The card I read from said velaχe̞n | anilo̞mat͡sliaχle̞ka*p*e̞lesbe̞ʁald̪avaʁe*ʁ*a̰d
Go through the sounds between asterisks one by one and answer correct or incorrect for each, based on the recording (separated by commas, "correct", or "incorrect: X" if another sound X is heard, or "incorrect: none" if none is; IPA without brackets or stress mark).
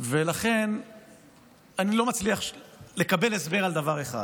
incorrect: b, incorrect: χ